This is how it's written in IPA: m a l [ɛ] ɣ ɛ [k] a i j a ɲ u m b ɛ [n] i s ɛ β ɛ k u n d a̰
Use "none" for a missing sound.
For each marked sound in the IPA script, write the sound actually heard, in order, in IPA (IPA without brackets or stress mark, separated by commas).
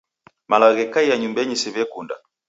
a, k, ɲ